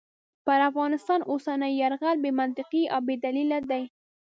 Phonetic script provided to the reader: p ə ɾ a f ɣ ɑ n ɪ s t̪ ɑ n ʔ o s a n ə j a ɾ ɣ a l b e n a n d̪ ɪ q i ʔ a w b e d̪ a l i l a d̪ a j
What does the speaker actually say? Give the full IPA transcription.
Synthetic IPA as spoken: p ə ɾ a f ɣ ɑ n ɪ s t̪ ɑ n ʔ o s a n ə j a ɾ ɣ a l b e m a n t̪ ɪ q i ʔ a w b e d̪ a l i l a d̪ a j